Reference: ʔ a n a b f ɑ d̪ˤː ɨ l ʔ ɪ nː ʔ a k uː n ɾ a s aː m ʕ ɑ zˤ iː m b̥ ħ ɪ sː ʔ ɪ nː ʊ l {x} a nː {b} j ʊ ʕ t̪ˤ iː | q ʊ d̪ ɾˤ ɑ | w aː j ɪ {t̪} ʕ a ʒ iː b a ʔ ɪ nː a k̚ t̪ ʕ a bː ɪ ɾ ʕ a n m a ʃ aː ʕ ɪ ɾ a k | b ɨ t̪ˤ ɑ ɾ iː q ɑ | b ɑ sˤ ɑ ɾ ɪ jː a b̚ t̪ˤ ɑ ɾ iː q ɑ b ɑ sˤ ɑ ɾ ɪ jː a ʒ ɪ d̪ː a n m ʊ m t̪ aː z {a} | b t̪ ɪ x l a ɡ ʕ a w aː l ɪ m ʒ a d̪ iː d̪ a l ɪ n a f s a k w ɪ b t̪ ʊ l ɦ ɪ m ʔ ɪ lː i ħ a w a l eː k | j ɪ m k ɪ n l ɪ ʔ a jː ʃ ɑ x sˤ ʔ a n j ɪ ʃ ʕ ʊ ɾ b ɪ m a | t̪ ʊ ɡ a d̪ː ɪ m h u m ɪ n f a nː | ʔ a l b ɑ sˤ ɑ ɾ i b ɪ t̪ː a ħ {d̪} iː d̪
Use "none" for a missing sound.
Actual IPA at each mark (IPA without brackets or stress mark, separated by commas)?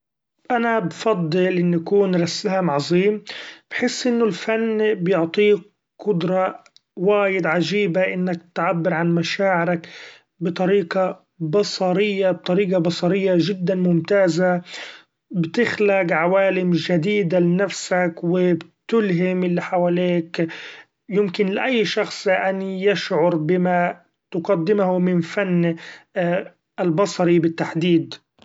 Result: f, b, d̪, a, d̪